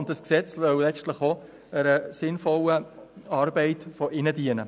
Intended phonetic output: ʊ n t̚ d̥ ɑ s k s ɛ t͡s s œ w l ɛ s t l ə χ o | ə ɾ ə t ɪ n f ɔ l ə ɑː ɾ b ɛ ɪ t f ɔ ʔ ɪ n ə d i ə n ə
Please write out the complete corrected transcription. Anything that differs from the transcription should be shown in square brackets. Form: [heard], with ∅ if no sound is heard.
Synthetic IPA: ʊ n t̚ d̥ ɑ s k s ɛ t͡s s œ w l ɛ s t l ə χ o | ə ɾ ə [s] ɪ n f ɔ l ə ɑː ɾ b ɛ ɪ t f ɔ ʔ ɪ n ə d i ə n ə

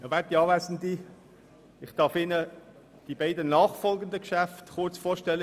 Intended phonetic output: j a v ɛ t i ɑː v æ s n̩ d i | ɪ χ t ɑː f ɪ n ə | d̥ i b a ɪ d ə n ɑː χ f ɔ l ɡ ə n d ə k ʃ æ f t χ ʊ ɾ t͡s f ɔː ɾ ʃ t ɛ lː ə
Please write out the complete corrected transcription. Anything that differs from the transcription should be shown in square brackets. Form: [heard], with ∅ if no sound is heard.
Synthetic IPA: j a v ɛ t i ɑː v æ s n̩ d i | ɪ χ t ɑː f ɪ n ə | d̥ i b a ɪ d ə n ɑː χ f ɔ l ɡ ə n d ə k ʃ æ f t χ ʊ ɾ t͡s f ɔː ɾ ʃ t ɛ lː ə

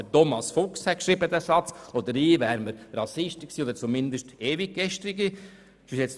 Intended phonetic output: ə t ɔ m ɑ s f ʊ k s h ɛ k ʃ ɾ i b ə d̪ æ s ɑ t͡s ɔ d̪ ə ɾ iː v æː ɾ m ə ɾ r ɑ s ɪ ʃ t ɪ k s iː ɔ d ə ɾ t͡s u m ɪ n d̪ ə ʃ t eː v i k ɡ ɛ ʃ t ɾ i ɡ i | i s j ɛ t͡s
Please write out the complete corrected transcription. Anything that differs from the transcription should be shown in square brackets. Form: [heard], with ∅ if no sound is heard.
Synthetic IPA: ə t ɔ m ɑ s f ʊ k s h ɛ k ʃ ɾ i b ə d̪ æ s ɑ t͡s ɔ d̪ ə ɾ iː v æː ɾ m ə ɾ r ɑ s ɪ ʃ t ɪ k s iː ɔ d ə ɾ t͡s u m ɪ n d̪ ə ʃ t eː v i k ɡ ɛ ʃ t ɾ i ɡ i | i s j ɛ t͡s

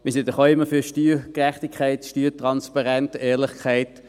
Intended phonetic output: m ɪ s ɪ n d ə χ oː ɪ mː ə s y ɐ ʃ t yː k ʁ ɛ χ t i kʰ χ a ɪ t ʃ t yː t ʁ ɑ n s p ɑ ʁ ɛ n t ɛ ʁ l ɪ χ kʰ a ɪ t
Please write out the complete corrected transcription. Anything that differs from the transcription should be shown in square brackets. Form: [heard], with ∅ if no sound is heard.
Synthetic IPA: m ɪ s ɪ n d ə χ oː ɪ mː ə [f] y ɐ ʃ t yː k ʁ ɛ χ t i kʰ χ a ɪ t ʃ t yː t ʁ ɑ n s p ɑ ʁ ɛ n t [ɛː] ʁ l ɪ χ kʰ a ɪ t

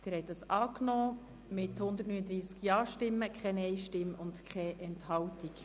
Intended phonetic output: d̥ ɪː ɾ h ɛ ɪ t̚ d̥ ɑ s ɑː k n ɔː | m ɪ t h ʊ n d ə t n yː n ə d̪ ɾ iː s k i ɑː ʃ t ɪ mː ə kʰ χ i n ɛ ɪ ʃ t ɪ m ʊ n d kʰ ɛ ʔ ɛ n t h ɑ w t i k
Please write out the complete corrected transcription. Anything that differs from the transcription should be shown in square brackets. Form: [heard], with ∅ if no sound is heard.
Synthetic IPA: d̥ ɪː ɾ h ɛ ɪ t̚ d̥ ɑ s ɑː k n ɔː | m ɪ t h ʊ n d ə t n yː n ə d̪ ɾ iː s k [j] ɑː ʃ t ɪ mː ə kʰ χ [ɛ] n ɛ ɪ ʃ t ɪ m ʊ n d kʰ ɛ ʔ ɛ n t h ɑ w t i k

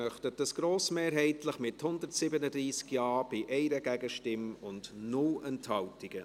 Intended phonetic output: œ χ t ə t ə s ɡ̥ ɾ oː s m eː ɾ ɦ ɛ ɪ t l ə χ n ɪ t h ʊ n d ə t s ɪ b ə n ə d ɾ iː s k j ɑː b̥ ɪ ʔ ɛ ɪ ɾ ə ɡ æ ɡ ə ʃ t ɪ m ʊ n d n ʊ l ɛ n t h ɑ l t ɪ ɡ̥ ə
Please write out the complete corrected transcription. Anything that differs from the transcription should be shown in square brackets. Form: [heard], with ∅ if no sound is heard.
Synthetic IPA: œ χ t ə t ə s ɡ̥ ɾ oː s m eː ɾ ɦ ɛ ɪ t l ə χ [m] ɪ t h ʊ n d ə t s ɪ b ə n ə d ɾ iː s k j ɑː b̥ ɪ ʔ ɛ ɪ ɾ ə ɡ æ ɡ ə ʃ t ɪ m ʊ n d n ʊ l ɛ n t h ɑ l t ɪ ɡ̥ ə

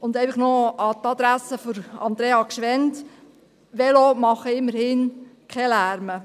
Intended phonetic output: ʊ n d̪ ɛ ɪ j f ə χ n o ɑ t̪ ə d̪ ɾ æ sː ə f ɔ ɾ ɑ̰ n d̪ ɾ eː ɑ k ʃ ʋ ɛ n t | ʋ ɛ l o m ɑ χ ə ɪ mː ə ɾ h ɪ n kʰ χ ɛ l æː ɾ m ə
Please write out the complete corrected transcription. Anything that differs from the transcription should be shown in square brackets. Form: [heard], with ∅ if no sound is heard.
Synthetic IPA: ʊ n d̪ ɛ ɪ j f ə χ n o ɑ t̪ [ɑ] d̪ ɾ æ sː ə f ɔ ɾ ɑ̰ n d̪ ɾ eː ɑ k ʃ ʋ ɛ n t | ʋ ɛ l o m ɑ χ ə ɪ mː ə ɾ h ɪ n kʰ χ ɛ l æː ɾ m ə

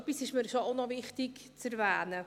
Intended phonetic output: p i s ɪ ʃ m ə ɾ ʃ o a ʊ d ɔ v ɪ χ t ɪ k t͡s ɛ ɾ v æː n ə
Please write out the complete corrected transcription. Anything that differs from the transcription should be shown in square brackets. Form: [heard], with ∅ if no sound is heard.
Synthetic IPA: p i s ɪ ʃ m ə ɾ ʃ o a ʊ [n] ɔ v ɪ χ t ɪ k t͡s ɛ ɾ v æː n ə

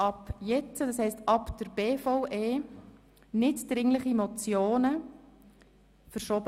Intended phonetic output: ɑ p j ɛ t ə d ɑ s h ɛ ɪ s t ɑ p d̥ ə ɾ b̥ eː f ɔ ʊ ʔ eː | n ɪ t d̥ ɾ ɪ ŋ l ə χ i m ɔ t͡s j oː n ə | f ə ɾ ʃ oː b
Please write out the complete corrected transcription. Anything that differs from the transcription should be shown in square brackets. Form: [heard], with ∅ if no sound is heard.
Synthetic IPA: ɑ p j ɛ [t͡s] ə d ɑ s h ɛ ɪ s t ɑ p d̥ ə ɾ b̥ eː f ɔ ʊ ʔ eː | n ɪ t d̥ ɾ ɪ ŋ l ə χ i m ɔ t͡s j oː n ə | f ə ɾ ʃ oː b

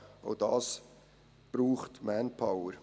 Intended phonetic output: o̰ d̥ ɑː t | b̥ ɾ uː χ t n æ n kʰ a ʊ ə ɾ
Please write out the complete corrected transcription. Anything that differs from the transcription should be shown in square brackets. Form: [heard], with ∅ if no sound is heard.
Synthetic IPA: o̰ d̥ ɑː [s] | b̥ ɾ uː χ t [m] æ n [pʰ] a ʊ ə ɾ

